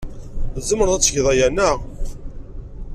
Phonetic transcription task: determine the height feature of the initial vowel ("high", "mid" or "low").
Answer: mid